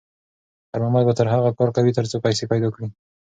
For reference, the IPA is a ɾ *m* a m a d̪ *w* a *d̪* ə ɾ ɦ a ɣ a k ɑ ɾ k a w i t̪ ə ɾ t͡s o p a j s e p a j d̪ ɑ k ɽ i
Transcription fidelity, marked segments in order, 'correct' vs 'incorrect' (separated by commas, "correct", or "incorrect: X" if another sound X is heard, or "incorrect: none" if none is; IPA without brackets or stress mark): correct, incorrect: b, incorrect: t̪